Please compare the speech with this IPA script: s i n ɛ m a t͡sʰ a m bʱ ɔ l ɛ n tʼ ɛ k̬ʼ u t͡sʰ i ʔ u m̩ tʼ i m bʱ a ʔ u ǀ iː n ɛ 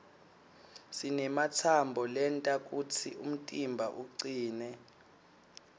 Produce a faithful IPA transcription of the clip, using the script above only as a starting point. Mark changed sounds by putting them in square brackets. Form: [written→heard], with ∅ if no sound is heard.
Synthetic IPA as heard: s i n ɛ m a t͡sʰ a m bʱ ɔ l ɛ n tʼ [ɛ→a] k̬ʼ u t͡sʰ i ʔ u m̩ tʼ i m bʱ a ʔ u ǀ iː n ɛ